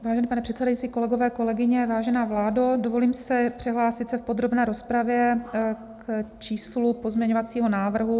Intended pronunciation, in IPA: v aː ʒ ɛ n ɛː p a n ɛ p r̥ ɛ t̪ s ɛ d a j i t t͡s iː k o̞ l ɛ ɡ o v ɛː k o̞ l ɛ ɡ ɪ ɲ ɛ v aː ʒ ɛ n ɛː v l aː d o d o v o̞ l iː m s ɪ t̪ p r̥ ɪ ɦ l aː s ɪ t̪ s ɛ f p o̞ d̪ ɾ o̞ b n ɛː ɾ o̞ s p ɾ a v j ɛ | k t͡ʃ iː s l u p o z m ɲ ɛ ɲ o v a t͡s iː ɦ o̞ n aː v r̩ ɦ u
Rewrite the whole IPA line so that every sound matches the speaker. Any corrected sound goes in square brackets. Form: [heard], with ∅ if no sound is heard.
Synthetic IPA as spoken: v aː ʒ ɛ n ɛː p a n ɛ p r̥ ɛ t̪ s ɛ d a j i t t͡s iː k o̞ l ɛ ɡ o v ɛː k o̞ l ɛ ɡ ɪ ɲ ɛ v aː ʒ ɛ n [aː] v l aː d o d o v o̞ l iː m s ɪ [∅] p r̥ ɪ ɦ l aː s ɪ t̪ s ɛ f p o̞ d̪ ɾ o̞ b n ɛː ɾ o̞ s p ɾ a v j ɛ | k t͡ʃ iː s l u p o z m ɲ ɛ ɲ o v a t͡s iː ɦ o̞ n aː v r̩ ɦ u